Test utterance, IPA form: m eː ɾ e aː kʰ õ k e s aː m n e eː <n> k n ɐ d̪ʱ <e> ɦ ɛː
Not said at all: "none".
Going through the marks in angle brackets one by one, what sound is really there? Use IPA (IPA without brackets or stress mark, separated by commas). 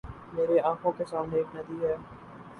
none, i